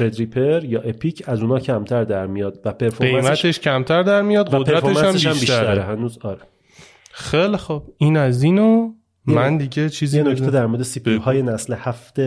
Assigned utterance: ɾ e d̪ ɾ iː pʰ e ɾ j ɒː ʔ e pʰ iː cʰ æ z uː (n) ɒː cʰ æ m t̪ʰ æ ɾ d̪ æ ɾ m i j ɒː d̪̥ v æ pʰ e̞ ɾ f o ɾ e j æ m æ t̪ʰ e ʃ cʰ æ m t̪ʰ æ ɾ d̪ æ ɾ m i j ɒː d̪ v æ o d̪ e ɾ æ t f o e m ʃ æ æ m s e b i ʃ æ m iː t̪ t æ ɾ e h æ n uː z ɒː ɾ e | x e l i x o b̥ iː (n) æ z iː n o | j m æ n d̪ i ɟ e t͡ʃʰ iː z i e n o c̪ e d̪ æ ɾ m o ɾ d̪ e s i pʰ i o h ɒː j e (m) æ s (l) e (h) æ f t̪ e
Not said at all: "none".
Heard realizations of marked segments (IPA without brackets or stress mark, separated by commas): n, n, n, l, h